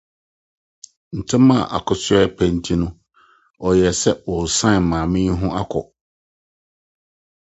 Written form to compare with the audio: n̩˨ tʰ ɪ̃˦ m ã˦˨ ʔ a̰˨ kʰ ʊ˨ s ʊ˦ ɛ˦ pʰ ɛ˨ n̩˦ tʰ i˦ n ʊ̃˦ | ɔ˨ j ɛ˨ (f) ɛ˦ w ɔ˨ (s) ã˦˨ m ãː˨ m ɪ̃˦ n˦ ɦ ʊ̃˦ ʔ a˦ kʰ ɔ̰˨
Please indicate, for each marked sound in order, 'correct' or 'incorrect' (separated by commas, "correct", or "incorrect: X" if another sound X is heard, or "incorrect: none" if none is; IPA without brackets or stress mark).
incorrect: s, correct